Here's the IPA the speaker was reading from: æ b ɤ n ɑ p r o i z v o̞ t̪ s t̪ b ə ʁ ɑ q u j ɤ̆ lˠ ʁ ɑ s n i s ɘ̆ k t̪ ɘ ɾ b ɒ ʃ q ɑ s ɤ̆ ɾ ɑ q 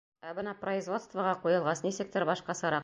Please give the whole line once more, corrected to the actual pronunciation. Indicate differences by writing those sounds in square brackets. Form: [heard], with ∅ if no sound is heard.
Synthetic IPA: æ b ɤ n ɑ p r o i z v o̞ t̪ s t̪ [v] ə ʁ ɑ q u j ɤ̆ lˠ ʁ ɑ s n i s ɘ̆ k t̪ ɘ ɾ b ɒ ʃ q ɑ s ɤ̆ ɾ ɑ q